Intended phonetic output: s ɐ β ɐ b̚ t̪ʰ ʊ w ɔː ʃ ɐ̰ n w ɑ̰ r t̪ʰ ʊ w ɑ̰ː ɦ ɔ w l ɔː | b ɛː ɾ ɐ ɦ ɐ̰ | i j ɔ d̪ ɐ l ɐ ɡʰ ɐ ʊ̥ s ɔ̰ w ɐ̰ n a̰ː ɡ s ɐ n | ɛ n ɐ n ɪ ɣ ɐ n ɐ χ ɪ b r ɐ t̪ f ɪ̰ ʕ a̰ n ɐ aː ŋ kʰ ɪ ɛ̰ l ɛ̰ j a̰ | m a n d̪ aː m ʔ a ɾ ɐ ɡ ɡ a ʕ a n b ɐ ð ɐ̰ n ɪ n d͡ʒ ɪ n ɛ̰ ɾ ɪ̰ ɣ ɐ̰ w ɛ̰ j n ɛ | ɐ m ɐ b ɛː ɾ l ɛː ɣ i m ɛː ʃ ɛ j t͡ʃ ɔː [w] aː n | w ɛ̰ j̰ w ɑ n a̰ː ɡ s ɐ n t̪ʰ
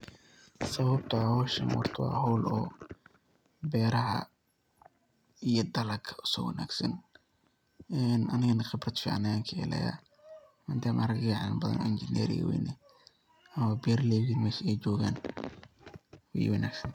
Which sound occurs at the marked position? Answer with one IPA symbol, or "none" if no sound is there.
ɣ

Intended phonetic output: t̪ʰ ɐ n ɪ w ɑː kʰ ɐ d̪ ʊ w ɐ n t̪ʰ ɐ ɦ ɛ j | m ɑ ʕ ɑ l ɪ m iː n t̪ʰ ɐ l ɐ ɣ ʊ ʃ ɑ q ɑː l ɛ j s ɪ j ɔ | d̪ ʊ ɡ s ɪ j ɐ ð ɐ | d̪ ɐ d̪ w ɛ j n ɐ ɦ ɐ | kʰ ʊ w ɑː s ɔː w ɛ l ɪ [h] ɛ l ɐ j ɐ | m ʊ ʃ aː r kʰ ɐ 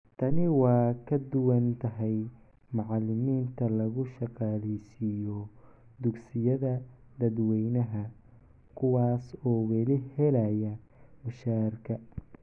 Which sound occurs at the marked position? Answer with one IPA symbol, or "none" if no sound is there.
h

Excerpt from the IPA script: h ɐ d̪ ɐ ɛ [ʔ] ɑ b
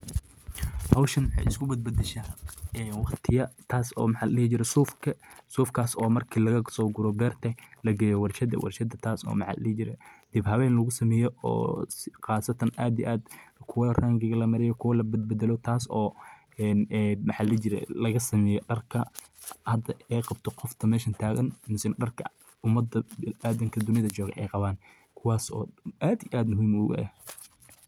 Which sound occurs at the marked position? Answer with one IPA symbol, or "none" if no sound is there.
q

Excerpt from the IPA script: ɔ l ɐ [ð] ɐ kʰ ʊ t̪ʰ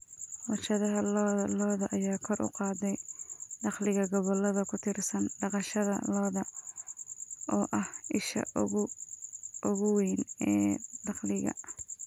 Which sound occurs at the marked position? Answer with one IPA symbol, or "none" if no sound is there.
ð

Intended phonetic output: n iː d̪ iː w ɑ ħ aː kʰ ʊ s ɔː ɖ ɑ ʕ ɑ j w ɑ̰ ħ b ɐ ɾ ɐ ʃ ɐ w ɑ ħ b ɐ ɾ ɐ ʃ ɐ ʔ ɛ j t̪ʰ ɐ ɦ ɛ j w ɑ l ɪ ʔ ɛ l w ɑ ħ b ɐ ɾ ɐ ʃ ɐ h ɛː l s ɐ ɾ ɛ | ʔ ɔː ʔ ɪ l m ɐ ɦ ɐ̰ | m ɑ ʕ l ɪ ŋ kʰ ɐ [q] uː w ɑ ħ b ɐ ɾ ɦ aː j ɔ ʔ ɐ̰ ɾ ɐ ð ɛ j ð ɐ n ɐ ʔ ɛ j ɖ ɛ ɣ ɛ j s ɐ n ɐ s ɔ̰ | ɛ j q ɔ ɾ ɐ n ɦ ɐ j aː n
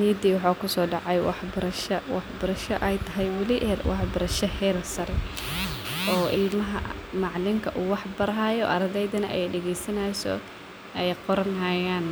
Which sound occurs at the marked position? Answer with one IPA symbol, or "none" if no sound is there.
ʔ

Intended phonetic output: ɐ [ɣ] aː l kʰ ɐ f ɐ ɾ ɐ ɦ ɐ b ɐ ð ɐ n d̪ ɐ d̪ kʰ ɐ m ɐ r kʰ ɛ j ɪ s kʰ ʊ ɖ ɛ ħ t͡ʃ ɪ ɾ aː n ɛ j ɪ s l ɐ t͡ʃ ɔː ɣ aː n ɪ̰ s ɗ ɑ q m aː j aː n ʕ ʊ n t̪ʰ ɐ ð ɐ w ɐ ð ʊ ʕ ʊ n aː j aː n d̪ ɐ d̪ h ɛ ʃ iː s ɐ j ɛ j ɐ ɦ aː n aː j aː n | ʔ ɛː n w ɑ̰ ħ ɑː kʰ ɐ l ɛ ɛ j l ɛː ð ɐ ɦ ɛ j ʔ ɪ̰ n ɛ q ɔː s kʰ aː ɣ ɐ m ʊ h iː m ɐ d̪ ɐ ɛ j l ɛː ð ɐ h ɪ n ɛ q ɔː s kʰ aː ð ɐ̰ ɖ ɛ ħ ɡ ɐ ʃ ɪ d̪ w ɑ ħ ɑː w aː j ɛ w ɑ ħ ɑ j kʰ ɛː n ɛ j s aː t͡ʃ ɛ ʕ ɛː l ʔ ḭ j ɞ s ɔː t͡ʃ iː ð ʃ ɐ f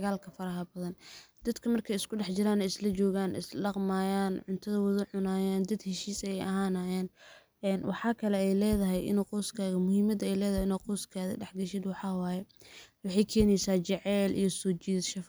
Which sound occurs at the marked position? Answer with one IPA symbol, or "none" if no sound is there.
ɣ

